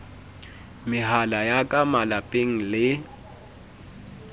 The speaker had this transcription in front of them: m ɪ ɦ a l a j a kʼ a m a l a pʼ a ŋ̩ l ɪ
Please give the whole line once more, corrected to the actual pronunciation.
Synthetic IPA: m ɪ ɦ a l a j a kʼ a m a l a pʼ e ŋ̩ l ɪ